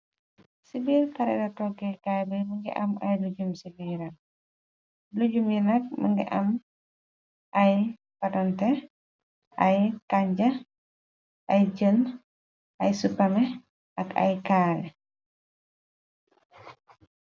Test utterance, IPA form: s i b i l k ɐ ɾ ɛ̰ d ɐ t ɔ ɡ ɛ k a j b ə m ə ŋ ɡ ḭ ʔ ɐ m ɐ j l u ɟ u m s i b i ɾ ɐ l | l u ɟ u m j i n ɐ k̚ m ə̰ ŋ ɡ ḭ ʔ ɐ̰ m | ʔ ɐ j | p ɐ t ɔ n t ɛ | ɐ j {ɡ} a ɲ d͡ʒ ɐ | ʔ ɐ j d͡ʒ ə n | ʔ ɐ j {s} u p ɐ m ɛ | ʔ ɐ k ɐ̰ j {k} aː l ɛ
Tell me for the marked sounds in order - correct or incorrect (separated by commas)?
incorrect, correct, correct